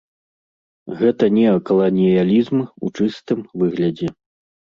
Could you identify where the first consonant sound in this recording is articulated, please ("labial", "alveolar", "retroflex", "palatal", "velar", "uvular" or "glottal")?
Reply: velar